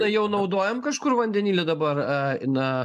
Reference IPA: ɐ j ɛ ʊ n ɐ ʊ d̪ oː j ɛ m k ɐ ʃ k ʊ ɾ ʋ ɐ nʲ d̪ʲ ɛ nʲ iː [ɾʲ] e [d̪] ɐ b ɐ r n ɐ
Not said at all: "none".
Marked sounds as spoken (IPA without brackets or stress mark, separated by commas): lʲ, d̪